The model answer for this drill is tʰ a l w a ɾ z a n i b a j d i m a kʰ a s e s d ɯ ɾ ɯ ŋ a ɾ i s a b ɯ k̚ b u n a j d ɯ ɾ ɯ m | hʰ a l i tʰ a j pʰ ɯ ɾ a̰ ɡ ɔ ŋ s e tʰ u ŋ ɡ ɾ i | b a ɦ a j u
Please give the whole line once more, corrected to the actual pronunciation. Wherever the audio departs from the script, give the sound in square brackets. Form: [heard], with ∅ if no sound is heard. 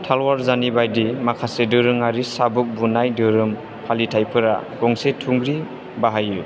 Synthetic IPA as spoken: tʰ a l w a ɾ z a n i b a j d i m a kʰ a s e [∅] d ɯ ɾ ɯ ŋ a ɾ i s a b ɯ k̚ b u n a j d ɯ ɾ ɯ m | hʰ a l i tʰ a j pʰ ɯ ɾ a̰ ɡ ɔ ŋ s e tʰ u ŋ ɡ ɾ i | b a ɦ a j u